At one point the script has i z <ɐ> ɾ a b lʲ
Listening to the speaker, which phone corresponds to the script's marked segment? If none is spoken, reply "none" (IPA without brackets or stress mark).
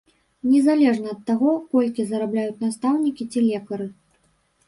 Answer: ɐ